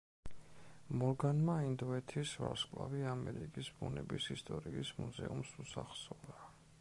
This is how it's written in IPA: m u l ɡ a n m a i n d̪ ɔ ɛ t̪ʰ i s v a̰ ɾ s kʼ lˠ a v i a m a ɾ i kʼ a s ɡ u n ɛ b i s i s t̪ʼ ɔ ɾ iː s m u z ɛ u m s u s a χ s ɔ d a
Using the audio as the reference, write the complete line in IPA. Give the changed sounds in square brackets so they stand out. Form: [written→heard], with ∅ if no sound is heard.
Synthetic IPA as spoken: m [u→ɔ] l ɡ a n m a i n d̪ ɔ ɛ t̪ʰ i s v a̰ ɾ s kʼ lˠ a v i a m [a→ɛ] ɾ i kʼ [a→i] s [ɡ→b] u n ɛ b i s i s t̪ʼ ɔ ɾ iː s m u z ɛ u m s u s a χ s ɔ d a